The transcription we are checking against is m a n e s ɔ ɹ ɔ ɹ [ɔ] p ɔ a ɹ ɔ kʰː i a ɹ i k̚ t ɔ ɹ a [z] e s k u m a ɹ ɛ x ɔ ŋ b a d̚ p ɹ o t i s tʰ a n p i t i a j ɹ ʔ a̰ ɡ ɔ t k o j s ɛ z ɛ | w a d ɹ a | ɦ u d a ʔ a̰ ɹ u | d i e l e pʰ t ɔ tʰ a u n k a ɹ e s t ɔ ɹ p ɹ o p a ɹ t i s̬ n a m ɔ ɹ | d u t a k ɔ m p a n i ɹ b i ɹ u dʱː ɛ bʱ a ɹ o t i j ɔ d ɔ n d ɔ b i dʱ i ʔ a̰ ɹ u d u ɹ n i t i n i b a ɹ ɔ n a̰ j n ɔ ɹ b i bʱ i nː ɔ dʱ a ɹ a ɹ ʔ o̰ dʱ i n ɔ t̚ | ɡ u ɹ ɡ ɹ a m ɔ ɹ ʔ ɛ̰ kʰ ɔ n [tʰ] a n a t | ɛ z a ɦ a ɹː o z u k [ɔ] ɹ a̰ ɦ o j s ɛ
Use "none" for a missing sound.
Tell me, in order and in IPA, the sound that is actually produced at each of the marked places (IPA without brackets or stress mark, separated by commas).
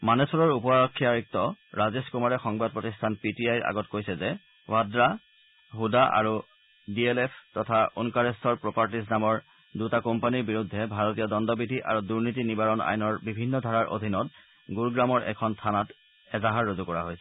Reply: u, z, tʰ, ɔ